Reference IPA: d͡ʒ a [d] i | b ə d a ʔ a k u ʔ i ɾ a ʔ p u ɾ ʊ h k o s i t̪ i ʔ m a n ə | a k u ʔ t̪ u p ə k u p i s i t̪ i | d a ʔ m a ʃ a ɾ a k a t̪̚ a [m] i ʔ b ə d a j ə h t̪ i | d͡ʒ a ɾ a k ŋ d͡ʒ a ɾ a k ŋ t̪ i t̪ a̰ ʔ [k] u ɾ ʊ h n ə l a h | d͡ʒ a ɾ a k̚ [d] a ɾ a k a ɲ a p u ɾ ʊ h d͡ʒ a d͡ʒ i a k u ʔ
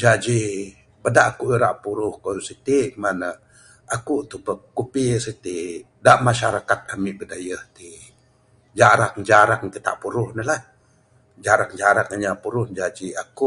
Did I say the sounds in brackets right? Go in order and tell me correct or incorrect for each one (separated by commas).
incorrect, correct, incorrect, incorrect